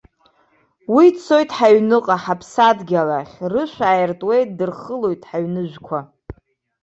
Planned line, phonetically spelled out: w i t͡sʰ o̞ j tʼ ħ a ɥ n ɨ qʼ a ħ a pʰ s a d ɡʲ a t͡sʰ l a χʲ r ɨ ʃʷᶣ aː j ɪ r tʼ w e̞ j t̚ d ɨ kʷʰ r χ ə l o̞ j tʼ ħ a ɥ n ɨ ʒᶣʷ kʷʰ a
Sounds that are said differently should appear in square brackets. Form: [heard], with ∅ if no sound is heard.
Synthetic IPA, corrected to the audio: w i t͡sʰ o̞ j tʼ ħ a ɥ n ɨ qʼ a ħ a pʰ s a d ɡʲ a [∅] l a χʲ r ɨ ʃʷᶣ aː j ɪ r tʼ w e̞ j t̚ d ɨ [∅] r χ ə l o̞ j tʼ ħ a ɥ n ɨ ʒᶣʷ kʷʰ a

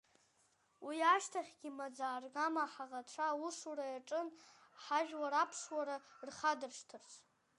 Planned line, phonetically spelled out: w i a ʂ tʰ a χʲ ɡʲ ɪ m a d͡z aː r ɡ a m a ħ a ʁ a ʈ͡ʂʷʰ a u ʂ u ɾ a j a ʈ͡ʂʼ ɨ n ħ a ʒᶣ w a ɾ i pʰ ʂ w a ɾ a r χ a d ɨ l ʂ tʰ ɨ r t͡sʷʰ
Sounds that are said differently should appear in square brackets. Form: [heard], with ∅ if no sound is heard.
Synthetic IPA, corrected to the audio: w i a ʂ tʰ a χʲ ɡʲ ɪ m a d͡z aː r ɡ a m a ħ a ʁ a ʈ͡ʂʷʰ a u ʂ u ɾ a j a ʈ͡ʂʼ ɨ n ħ a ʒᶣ w a ɾ [a] pʰ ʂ w a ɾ a r χ a d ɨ [r] ʂ tʰ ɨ r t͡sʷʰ

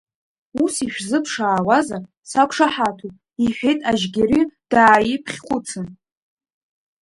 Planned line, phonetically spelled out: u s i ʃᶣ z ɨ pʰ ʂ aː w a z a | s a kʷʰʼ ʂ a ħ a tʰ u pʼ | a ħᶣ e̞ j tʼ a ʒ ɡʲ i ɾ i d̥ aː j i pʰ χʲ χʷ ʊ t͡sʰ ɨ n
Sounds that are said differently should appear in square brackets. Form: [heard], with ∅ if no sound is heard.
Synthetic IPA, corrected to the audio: u s i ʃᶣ z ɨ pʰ ʂ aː w a z a | s a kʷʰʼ ʂ a ħ a tʰ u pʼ | [i] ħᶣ e̞ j tʼ a ʒ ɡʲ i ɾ i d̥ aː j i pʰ χʲ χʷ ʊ t͡sʰ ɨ n

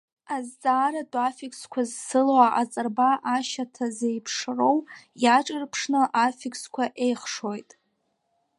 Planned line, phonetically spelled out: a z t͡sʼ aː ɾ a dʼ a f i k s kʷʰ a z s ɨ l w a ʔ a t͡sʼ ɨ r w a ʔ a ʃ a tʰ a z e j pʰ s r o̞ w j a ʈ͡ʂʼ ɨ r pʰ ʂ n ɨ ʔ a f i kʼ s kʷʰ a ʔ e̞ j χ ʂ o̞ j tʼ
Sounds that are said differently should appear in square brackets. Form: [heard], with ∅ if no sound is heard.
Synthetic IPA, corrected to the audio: a z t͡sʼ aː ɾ a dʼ a f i k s kʷʰ a z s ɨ l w a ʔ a t͡sʼ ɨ r [b] a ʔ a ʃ a tʰ a z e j pʰ [ʂ] r o̞ w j a ʈ͡ʂʼ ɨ r pʰ ʂ n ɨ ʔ a f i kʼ s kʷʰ a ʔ e̞ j χ ʂ o̞ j tʼ

